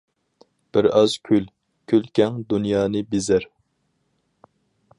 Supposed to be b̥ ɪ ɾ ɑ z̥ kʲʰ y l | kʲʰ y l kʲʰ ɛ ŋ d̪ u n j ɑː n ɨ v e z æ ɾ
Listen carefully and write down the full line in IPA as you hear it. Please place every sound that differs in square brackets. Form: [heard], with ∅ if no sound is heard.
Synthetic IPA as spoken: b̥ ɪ ɾ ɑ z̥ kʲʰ y l | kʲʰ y l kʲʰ ɛ ŋ d̪ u n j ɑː n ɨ [b] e z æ ɾ